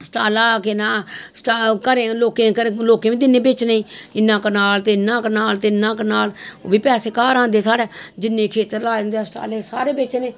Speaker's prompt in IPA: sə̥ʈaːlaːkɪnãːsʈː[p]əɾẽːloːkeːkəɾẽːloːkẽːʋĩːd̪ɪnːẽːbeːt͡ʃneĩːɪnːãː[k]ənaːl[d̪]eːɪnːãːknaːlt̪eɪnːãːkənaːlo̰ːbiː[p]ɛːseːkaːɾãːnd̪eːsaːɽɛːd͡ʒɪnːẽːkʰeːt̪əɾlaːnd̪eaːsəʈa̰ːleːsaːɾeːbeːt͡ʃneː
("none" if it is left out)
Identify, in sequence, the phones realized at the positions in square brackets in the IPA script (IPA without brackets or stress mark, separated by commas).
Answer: k, k, t̪, p